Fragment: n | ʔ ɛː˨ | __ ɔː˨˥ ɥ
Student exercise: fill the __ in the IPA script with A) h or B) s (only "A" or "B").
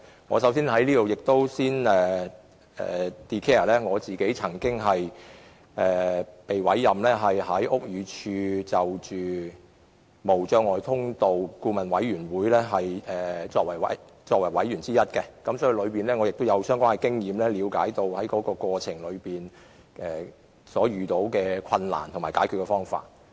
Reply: B